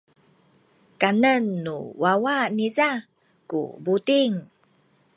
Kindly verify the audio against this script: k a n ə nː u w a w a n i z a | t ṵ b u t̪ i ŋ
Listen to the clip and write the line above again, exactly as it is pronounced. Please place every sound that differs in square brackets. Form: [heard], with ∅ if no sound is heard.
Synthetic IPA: k a n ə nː u w a w a n i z a | [k] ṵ b u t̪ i ŋ